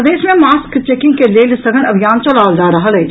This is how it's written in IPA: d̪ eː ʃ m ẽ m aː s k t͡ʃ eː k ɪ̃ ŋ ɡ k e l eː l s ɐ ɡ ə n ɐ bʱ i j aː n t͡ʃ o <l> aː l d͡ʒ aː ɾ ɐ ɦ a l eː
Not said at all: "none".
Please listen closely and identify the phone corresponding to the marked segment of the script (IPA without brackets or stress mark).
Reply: l